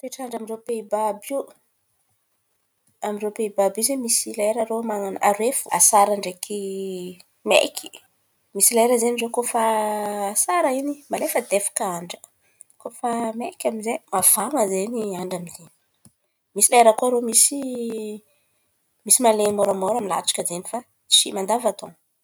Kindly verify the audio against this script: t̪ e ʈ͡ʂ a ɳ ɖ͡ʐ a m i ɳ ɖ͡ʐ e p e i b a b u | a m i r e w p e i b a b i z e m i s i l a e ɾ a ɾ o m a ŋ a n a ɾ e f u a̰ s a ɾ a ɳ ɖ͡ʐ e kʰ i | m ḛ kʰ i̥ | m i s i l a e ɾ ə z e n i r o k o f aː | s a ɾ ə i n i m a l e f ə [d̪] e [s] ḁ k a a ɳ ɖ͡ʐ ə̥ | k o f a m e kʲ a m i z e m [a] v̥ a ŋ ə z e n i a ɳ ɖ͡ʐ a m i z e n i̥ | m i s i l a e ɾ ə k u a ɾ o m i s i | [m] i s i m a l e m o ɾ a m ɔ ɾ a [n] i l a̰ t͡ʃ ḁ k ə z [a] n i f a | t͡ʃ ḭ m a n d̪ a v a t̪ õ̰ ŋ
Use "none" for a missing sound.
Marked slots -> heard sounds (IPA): d̪, f, a, m, m, e

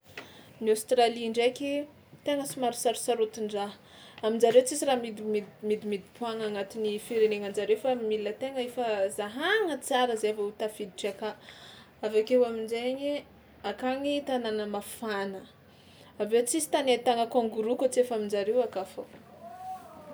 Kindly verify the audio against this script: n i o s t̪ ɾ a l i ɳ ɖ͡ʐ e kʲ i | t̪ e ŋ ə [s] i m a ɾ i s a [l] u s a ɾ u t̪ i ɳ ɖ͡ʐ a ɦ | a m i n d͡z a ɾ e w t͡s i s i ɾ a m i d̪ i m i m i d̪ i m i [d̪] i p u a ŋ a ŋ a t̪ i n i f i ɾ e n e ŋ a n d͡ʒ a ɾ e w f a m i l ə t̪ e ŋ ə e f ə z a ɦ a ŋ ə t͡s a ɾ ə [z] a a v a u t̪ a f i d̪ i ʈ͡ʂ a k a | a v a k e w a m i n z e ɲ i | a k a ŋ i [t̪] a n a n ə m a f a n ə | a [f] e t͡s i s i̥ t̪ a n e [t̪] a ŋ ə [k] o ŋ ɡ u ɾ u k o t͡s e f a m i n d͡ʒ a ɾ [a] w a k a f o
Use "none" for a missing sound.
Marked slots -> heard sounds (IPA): s, ɾ, d̪, z, t̪, v, t̪, k, e

